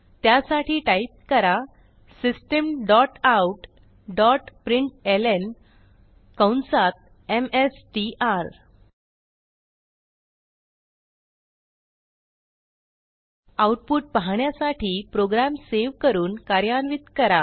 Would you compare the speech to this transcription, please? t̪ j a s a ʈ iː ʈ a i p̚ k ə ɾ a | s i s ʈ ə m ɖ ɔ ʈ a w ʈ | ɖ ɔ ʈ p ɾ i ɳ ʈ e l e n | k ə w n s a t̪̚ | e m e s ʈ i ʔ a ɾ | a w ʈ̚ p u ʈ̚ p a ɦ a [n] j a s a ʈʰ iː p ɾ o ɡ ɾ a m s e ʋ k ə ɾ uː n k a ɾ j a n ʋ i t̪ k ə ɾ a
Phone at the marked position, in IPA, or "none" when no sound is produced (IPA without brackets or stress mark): ɳ